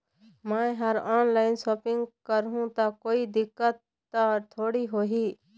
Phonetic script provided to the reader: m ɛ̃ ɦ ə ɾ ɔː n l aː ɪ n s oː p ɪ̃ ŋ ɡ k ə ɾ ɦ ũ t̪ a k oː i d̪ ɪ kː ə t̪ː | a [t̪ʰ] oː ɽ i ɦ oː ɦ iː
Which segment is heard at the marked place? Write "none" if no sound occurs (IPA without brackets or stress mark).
t̪ʰ